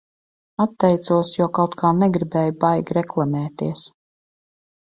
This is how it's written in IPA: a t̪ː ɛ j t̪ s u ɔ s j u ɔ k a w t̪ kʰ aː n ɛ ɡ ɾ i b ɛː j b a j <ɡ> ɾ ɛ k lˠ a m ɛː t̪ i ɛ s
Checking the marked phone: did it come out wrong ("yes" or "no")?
no